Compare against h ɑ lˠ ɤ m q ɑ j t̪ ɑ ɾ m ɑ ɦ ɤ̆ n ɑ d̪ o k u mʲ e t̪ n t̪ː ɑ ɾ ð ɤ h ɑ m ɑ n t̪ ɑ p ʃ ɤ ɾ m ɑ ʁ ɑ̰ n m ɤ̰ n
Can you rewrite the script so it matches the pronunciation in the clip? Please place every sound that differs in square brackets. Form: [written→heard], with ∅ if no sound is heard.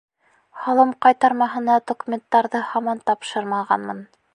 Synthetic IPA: h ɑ lˠ ɤ m q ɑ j t̪ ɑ ɾ m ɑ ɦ ɤ̆ n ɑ d̪ o k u mʲ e [t̪→∅] n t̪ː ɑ ɾ ð ɤ h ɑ m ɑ n t̪ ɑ p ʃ ɤ ɾ m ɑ ʁ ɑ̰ n m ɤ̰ n